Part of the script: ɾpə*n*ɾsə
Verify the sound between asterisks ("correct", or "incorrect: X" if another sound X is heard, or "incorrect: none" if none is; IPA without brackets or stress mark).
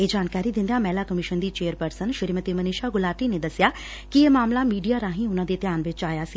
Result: incorrect: none